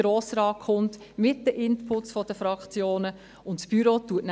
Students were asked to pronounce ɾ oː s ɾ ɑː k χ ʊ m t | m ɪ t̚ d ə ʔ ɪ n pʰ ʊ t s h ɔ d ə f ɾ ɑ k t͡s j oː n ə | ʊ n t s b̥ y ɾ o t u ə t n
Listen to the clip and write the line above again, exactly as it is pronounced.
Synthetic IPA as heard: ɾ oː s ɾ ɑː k χ ʊ n t | m ɪ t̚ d ə ʔ ɪ n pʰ ʊ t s f ɔ d ə f ɾ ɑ k t͡s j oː n ə | ʊ n t s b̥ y ɾ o t u ə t n